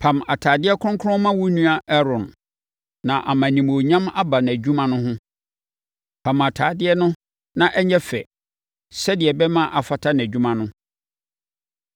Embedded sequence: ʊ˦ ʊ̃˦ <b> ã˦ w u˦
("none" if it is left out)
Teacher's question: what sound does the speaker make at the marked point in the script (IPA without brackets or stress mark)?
m